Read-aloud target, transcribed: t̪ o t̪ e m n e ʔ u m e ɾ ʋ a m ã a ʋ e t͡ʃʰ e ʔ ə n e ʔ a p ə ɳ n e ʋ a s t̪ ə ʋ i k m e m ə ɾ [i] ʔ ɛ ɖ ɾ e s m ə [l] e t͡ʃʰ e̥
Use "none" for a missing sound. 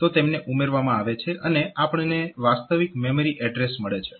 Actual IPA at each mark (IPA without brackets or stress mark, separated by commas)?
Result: i, ɭ